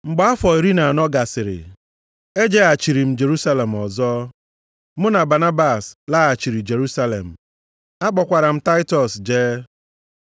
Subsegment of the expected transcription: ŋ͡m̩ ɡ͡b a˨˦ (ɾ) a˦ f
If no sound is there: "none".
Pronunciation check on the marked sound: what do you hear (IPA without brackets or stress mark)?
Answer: none